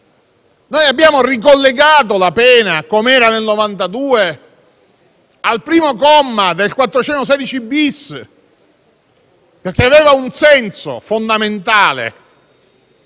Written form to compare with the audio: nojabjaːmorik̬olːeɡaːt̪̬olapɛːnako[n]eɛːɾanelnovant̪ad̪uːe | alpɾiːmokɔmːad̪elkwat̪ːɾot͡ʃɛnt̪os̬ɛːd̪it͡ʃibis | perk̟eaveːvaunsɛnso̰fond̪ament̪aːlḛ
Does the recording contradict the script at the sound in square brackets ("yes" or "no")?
yes